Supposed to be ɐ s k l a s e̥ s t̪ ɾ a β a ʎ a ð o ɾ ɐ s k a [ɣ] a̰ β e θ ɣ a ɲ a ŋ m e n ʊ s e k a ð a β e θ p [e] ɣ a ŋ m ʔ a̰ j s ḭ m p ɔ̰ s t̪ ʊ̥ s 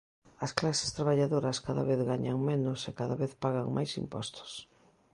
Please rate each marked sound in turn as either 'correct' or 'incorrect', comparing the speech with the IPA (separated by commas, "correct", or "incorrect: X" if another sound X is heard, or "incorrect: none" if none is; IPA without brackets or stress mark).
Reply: incorrect: ð, incorrect: a